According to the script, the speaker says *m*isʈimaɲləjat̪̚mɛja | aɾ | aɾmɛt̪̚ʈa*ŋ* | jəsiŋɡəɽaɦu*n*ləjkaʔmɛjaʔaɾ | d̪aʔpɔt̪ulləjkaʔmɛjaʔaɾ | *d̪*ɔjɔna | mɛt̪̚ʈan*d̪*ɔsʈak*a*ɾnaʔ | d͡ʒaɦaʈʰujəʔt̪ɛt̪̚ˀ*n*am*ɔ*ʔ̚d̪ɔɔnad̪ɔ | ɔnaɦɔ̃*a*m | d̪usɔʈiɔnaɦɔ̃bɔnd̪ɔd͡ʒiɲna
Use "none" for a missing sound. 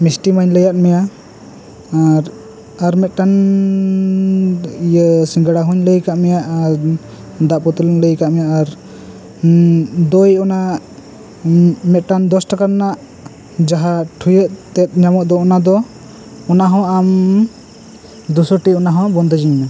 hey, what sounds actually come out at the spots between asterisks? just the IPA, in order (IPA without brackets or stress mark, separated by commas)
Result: m, n, ɲ, d̪, d̪, a, ɲ, ɔ, a